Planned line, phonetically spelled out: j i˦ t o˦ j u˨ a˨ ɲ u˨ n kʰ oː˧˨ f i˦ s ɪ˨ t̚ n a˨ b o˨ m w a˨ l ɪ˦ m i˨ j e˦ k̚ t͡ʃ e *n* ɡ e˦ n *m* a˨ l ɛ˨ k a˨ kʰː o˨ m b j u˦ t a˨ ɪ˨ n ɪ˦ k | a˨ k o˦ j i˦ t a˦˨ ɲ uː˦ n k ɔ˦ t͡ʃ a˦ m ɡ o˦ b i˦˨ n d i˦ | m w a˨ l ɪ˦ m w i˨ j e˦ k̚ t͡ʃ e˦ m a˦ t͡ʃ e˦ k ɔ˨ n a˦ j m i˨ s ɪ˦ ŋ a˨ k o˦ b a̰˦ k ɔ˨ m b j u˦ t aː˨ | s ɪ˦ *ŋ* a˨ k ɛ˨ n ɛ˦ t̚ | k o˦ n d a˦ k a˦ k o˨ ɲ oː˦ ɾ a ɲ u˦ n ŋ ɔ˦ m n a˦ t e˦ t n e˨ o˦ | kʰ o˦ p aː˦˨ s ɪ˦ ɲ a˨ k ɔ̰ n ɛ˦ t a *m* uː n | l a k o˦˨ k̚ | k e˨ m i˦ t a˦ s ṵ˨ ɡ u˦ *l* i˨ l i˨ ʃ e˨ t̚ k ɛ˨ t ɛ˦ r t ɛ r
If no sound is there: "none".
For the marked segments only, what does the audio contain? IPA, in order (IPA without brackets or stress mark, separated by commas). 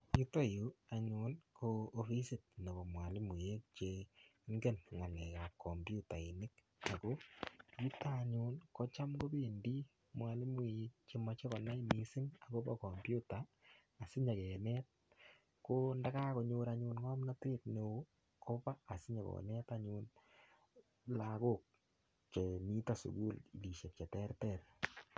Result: ŋ, ŋ, ɲ, ɲ, l